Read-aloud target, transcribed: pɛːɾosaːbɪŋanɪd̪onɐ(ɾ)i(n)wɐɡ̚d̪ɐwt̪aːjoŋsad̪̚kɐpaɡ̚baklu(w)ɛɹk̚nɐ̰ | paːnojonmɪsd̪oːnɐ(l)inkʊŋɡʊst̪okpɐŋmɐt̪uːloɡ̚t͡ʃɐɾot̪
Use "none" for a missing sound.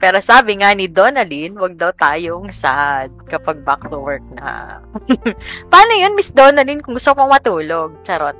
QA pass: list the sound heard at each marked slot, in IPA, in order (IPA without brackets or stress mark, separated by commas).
l, n, w, l